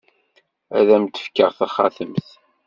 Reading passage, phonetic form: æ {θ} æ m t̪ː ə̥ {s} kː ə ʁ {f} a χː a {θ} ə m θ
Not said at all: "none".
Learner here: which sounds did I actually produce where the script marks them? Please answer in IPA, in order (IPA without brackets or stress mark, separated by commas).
ð, f, θ, θ